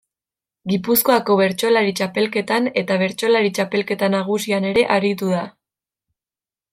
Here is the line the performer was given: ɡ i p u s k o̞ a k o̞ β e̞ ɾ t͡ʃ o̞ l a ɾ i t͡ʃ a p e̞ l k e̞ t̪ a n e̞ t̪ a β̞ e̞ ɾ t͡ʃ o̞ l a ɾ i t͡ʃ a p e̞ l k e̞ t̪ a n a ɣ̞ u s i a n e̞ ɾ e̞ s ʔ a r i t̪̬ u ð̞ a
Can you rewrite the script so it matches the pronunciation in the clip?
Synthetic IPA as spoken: ɡ i p u s k o̞ a k o̞ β e̞ ɾ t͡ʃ o̞ l a ɾ i t͡ʃ a p e̞ l k e̞ t̪ a n e̞ t̪ a β̞ e̞ ɾ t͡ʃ o̞ l a ɾ i t͡ʃ a p e̞ l k e̞ t̪ a n a ɣ̞ u s i a n e̞ ɾ e̞ ʔ a ɾ i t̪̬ u ð̞ a